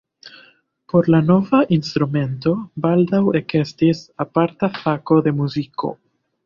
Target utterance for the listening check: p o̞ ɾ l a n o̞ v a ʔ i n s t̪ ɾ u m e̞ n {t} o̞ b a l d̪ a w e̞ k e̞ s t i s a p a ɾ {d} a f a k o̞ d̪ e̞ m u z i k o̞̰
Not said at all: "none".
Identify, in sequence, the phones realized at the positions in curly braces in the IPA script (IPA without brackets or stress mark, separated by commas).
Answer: t, t